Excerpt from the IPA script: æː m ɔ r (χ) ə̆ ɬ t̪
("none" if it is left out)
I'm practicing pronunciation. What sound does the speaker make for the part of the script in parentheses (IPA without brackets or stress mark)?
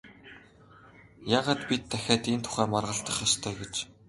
ʁ